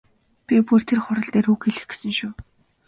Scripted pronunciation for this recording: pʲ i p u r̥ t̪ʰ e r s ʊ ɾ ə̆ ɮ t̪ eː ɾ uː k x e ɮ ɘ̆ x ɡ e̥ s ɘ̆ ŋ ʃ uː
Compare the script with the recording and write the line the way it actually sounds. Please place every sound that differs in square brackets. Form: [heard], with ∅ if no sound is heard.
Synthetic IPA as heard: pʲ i p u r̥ t̪ʰ e r [χ] ʊ ɾ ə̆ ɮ t̪ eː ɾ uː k x e ɮ ɘ̆ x ɡ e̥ s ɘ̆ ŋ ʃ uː